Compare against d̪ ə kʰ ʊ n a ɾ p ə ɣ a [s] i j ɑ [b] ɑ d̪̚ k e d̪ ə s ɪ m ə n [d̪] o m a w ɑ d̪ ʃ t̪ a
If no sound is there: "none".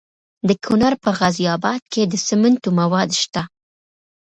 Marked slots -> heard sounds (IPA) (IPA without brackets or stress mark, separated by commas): z, b, t̪